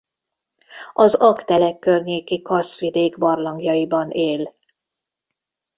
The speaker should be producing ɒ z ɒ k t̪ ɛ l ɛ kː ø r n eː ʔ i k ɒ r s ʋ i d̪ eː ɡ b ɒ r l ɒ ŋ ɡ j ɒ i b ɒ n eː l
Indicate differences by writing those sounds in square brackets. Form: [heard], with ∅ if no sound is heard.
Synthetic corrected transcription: ɒ z ɒ k t̪ ɛ l ɛ kː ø r [ɲ] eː [k] i k ɒ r s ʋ i d̪ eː ɡ b ɒ r l ɒ ŋ ɡ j ɒ i b ɒ n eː l